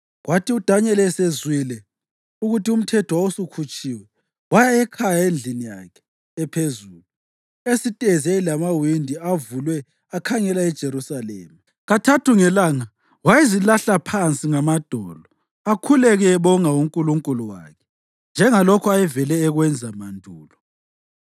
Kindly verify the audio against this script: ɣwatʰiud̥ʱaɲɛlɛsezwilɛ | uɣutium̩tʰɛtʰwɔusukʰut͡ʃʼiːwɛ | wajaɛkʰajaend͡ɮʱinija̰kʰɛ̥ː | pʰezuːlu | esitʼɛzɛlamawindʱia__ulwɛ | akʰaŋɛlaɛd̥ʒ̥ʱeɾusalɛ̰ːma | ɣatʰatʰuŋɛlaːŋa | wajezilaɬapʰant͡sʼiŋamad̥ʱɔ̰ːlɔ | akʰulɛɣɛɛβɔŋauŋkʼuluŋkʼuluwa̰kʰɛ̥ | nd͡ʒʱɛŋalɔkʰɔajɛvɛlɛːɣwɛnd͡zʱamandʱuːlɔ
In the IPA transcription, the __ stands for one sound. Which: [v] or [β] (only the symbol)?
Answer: v